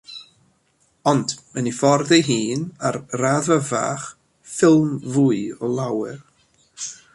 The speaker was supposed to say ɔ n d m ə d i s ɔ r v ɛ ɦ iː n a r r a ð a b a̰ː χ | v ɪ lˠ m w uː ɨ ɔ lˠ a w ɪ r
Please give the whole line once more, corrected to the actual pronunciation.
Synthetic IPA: ɔ n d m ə n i f ɔ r ð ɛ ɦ iː n a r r a ð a v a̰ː χ | f ɪ lˠ m v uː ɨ ɔ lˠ a w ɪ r